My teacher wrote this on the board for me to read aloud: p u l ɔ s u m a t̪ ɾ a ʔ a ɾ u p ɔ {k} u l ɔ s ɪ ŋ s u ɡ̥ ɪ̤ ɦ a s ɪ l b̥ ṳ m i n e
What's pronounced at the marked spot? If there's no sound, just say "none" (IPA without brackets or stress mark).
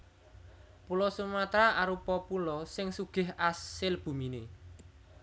p